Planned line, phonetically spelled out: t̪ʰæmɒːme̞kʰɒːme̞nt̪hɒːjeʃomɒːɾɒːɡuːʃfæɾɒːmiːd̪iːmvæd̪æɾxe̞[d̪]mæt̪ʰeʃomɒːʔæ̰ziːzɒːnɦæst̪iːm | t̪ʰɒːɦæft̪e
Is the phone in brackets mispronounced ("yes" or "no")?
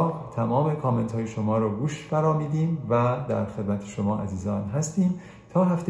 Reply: no